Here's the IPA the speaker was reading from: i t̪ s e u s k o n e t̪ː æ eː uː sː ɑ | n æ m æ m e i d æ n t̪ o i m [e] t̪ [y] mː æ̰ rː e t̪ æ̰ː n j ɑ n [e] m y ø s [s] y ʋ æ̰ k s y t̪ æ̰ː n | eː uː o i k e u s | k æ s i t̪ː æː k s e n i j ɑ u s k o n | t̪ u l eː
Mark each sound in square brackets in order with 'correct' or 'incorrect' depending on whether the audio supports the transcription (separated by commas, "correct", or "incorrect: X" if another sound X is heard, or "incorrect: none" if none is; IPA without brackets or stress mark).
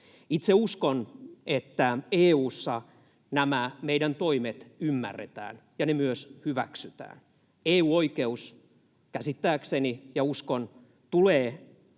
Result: correct, correct, correct, incorrect: h